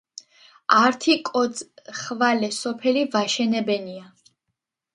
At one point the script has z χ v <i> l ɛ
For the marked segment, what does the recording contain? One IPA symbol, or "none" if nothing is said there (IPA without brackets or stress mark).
a